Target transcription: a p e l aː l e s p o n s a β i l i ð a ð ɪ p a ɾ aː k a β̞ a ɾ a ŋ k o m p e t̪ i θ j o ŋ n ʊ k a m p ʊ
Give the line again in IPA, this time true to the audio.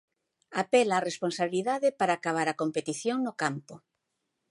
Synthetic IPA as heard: a p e l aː r e s p o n s a β i l i ð a ð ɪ p a ɾ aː k a β̞ a ɾ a k o m p e t̪ i θ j o ŋ n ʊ k a m p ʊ